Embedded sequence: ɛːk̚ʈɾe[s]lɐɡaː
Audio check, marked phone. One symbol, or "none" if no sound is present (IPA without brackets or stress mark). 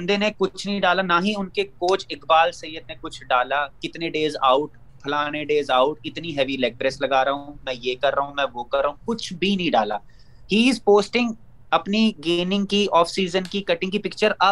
s